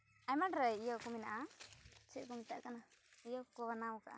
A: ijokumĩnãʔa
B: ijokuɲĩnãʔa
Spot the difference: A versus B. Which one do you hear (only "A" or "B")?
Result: A